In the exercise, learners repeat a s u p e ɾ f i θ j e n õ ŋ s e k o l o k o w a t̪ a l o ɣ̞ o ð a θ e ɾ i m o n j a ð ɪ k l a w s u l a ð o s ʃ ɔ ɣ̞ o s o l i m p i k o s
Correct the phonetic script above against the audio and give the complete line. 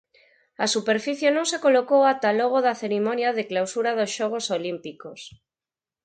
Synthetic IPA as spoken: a s u p e ɾ f i θ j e n õ ŋ s e k o l o k o w a t̪ a l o ɣ̞ o ð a θ e ɾ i m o n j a ð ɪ k l a w s u ɾ a ð o s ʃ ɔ ɣ̞ o s o l i m p i k o s